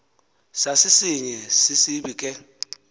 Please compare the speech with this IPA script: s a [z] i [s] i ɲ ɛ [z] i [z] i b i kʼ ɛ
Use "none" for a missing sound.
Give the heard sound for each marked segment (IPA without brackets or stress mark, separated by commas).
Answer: s, s, s, s